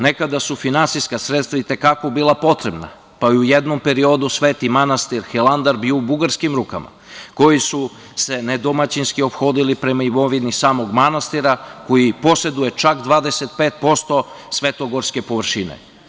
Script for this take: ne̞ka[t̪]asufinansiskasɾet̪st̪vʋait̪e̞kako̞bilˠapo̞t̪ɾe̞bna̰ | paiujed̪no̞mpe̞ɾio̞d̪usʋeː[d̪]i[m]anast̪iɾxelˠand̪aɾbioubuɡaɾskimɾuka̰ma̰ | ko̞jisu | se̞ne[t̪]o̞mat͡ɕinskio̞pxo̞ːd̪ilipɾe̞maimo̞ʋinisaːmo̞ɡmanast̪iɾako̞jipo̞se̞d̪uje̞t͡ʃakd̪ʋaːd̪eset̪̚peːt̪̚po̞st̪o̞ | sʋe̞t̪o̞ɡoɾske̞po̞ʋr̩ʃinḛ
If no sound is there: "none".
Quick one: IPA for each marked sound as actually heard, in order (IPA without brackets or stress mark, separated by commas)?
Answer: d̪, t̪, m, d̪